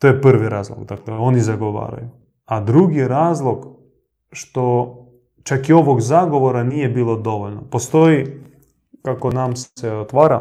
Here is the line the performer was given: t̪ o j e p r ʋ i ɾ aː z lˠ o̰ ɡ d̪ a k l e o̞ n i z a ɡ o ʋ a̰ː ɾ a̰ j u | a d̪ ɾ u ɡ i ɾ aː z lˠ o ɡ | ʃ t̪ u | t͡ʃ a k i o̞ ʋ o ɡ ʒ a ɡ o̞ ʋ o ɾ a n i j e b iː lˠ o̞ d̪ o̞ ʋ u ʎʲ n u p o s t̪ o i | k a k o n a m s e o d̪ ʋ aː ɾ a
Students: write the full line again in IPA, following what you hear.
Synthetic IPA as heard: t̪ o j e p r ʋ i ɾ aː z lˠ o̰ ɡ d̪ a k l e o̞ n i z a ɡ o ʋ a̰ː ɾ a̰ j u | a d̪ ɾ u ɡ i ɾ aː z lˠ o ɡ | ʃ t̪ o | t͡ʃ a k i o̞ ʋ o ɡ z a ɡ o̞ ʋ o ɾ a n i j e b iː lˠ o̞ d̪ o̞ ʋ o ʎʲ n o p o s t̪ o i | k a k o n a m s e o t̪ ʋ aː ɾ a